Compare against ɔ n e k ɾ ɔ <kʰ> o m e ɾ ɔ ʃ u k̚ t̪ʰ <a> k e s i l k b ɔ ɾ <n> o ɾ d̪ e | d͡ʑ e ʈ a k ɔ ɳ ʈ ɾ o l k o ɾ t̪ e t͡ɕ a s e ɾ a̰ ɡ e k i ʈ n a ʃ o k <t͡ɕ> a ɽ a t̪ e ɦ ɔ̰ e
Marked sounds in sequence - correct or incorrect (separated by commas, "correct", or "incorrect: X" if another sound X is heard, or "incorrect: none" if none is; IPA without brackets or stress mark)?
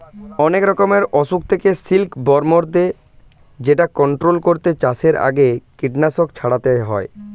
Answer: incorrect: k, incorrect: e, incorrect: m, incorrect: t͡ɕʰ